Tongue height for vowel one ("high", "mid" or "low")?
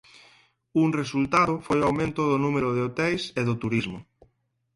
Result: high